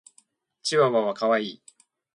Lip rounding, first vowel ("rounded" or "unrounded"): unrounded